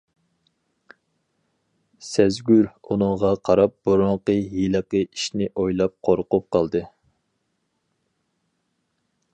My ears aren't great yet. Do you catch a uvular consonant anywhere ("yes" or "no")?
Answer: yes